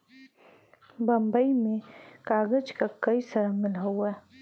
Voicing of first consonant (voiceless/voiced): voiced